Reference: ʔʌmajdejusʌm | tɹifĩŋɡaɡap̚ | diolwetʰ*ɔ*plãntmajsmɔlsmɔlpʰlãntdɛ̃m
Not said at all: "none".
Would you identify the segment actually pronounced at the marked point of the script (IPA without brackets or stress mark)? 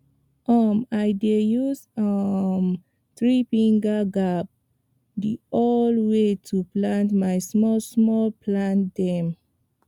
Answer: u